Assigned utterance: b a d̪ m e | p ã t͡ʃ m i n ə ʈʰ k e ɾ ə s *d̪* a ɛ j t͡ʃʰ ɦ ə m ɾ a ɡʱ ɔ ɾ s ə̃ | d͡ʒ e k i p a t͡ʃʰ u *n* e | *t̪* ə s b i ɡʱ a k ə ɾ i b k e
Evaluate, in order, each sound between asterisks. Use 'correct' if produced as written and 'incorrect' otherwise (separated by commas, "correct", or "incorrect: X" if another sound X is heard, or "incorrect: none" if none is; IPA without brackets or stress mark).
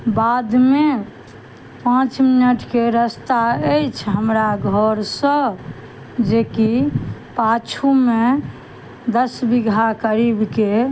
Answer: incorrect: t̪, incorrect: m, incorrect: d̪